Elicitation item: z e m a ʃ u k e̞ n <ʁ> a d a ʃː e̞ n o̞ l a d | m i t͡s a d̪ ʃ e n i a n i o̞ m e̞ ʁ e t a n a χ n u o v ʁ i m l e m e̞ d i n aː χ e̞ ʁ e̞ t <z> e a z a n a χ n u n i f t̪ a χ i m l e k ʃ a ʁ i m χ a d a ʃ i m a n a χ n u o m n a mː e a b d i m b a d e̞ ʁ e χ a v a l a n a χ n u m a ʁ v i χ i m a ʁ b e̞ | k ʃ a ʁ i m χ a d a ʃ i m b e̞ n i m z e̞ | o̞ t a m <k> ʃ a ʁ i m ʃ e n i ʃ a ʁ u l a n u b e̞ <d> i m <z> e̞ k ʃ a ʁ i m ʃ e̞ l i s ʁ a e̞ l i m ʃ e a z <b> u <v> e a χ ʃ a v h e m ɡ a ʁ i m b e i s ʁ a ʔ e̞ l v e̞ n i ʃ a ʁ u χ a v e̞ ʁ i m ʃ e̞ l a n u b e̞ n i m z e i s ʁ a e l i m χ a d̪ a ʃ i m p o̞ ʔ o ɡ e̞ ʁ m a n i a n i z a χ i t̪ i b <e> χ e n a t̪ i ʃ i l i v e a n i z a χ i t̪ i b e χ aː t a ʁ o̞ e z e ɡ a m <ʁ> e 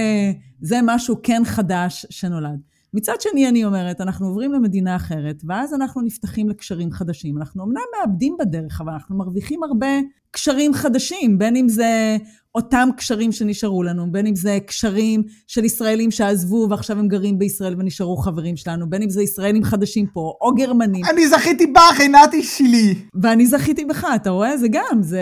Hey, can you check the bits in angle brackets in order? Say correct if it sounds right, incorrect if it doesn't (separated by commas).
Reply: incorrect, incorrect, correct, incorrect, correct, incorrect, correct, incorrect, incorrect